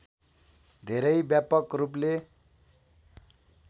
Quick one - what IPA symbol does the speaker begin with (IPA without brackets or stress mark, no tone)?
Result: d̪ʱ